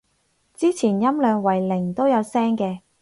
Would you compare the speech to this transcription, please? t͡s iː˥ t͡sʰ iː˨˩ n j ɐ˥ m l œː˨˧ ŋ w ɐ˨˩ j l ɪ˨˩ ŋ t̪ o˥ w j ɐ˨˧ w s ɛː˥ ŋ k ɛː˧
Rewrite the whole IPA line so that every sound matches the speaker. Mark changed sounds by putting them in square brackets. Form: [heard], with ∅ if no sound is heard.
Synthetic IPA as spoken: t͡s iː˥ t͡sʰ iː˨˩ n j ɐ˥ m l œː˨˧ ŋ w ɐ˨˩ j l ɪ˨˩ ŋ t̪ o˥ w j ɐ˨˧ w s ɛː˥ ŋ k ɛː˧